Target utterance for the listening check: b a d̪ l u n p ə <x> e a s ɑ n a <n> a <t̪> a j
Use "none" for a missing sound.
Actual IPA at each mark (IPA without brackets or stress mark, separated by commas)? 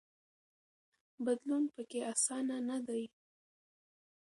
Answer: k, n, d̪